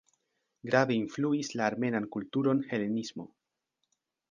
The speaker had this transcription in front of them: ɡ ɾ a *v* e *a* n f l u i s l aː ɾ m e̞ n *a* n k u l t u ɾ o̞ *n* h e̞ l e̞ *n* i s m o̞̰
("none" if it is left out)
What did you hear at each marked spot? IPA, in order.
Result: v, i, a, n, n

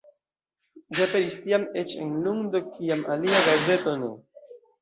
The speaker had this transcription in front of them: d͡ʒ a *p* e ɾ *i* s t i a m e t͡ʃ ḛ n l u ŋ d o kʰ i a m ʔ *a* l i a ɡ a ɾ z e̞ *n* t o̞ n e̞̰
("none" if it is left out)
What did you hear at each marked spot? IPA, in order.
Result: p, i, a, none

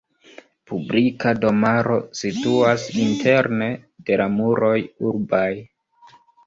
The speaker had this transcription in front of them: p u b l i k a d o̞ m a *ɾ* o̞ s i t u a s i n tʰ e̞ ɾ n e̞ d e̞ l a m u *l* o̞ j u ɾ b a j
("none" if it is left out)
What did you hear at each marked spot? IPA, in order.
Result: ɾ, ɾ

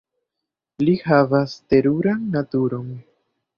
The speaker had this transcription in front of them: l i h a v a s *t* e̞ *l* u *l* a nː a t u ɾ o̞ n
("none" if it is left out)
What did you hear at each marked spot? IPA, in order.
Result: t, ɾ, ɾ

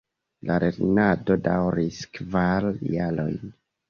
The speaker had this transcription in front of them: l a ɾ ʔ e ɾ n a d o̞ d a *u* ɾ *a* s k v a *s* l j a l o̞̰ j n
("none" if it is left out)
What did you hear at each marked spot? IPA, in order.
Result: w, i, none

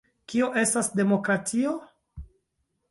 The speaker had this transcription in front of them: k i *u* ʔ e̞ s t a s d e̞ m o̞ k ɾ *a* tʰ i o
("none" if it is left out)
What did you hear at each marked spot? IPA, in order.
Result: o, a

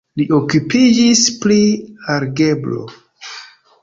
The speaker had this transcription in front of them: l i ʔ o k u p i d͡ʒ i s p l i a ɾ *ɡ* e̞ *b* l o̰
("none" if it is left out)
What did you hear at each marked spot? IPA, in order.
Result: ɡ, b

